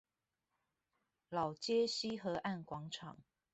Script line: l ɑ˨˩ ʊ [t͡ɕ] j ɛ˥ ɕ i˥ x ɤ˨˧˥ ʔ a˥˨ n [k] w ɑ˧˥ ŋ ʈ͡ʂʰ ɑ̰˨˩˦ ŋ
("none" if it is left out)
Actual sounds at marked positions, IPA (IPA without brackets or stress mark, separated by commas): t͡ɕ, k